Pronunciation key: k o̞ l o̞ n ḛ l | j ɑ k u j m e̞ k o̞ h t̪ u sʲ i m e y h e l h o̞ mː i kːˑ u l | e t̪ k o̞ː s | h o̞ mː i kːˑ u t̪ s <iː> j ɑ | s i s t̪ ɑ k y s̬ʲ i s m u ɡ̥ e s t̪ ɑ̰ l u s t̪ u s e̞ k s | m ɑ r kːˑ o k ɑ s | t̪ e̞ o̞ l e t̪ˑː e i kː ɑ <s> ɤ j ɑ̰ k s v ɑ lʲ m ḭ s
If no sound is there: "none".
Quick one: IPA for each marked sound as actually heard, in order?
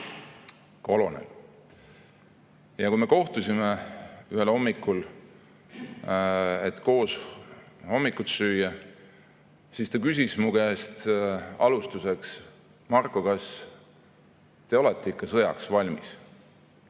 yː, s

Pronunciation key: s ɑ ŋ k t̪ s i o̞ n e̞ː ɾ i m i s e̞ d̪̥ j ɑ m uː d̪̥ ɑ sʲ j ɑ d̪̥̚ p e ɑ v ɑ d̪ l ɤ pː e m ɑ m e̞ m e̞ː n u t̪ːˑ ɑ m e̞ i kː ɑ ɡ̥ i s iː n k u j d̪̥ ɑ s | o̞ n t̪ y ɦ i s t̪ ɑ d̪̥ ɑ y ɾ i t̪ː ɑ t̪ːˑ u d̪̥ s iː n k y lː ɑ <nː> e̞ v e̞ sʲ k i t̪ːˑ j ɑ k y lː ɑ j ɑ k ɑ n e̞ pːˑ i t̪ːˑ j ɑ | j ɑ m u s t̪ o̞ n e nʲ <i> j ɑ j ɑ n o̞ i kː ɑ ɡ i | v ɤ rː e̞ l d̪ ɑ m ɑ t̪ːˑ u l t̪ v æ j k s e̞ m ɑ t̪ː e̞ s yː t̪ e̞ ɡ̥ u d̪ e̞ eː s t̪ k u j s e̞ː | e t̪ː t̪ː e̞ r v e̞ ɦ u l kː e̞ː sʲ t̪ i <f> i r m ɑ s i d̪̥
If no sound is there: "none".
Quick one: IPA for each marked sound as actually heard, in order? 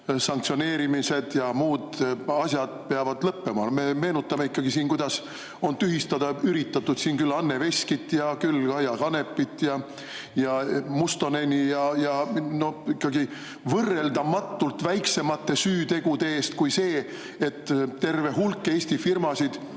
nː, i, f

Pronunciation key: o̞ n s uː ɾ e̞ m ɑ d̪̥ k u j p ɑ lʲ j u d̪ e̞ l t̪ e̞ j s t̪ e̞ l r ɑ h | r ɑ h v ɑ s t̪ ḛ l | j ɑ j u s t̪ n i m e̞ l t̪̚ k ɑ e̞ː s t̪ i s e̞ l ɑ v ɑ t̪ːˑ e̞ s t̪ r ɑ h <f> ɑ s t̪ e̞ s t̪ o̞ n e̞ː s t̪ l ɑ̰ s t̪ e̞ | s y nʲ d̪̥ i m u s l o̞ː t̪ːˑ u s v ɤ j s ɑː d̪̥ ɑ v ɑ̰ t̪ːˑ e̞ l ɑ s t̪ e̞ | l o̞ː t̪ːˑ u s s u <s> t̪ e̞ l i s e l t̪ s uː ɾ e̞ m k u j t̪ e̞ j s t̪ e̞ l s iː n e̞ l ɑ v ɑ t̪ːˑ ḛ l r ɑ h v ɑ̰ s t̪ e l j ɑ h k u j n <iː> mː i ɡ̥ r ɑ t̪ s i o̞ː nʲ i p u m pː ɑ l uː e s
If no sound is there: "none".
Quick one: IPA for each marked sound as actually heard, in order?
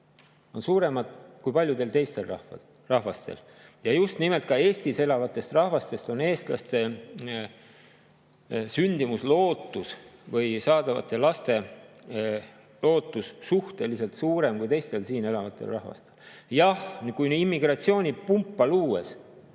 v, h, i

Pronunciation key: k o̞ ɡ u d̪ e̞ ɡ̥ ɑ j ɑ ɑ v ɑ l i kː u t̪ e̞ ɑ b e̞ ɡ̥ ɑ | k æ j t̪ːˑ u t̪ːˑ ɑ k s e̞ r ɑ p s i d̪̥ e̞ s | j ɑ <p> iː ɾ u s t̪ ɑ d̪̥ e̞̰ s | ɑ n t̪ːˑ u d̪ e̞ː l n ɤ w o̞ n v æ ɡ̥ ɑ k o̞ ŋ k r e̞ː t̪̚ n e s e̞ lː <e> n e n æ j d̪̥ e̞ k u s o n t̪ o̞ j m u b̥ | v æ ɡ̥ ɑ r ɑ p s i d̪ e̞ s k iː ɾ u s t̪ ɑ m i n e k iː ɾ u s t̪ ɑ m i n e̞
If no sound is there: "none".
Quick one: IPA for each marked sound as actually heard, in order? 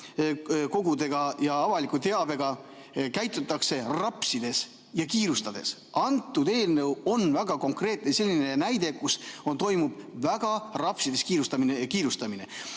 k, i

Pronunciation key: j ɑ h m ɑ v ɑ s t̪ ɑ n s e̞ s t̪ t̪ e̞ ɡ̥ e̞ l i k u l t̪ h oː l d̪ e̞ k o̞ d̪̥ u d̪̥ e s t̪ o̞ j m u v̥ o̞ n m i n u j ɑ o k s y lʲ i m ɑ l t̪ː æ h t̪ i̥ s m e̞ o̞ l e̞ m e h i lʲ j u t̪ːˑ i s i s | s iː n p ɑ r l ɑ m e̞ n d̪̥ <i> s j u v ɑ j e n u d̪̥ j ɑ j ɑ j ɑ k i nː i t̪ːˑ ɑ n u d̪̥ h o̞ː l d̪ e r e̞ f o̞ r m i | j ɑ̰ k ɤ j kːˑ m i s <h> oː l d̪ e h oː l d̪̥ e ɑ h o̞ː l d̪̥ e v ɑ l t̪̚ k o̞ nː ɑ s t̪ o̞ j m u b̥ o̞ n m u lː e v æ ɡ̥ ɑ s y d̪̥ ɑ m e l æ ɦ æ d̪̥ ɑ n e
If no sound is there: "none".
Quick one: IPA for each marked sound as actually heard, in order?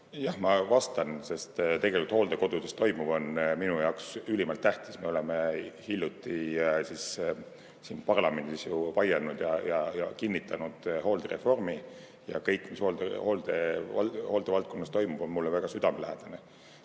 i, h

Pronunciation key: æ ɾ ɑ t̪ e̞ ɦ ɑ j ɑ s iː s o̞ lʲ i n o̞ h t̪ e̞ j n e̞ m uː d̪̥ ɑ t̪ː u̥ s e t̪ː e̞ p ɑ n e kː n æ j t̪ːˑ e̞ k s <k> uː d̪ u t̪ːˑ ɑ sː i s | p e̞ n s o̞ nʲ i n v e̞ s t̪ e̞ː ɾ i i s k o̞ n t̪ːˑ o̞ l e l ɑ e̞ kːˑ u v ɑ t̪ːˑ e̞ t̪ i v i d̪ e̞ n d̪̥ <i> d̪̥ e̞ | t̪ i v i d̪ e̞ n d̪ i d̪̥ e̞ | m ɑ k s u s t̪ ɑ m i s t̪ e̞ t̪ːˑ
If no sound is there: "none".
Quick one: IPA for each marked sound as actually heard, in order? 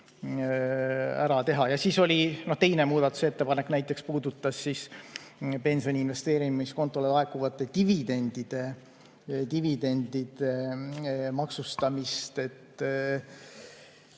p, i

